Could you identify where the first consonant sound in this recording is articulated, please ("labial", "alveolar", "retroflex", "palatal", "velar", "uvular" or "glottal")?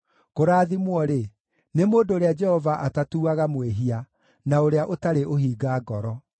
velar